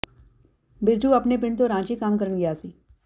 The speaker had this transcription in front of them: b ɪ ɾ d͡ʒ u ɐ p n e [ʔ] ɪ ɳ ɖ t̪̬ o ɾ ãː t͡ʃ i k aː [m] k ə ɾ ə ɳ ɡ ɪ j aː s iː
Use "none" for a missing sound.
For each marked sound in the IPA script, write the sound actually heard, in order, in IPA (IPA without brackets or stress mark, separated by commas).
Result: p, m